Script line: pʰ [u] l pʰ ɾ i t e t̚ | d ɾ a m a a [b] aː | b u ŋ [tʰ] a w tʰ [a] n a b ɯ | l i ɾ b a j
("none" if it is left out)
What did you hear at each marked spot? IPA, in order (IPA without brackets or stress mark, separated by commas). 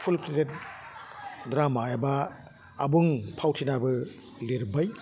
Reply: u, b, pʰ, i